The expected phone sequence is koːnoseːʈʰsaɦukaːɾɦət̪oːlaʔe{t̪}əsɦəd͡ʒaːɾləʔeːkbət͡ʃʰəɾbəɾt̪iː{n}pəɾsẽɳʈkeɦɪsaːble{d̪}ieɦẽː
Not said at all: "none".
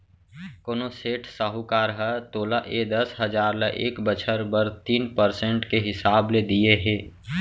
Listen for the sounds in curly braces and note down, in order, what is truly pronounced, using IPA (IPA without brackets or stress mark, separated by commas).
d̪, n, d̪